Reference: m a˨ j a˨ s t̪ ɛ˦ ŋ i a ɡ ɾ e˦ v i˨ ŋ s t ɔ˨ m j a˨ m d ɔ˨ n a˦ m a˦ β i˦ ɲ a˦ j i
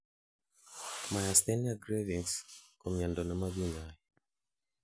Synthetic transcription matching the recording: m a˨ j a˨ s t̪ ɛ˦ n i a ɡ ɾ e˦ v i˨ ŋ s k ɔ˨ m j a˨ n d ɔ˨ n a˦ m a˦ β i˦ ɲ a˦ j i